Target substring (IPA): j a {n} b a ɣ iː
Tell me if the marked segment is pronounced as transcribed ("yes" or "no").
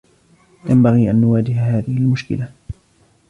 no